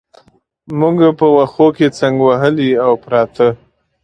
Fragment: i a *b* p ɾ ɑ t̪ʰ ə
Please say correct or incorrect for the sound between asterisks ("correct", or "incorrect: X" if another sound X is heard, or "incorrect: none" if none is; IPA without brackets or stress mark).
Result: incorrect: w